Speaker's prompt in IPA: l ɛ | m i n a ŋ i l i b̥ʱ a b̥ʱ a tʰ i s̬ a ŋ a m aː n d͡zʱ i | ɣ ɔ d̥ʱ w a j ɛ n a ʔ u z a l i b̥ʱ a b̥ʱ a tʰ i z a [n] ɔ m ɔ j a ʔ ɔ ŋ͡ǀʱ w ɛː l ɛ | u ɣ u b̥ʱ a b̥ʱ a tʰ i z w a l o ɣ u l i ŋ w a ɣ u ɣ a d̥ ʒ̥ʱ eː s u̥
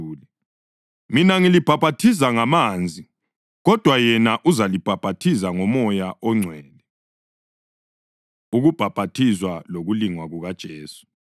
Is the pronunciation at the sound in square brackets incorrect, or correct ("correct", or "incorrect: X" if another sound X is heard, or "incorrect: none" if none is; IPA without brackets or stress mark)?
incorrect: ŋ